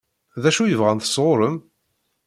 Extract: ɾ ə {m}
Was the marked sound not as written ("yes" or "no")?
no